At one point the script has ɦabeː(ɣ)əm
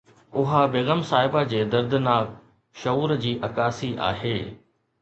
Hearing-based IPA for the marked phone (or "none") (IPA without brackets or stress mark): ɣ